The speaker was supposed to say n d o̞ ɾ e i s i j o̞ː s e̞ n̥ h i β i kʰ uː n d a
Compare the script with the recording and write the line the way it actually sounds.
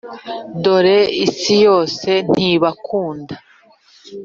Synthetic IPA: n d o̞ ɾ e i s i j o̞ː s e̞ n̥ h i β a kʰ uː n d a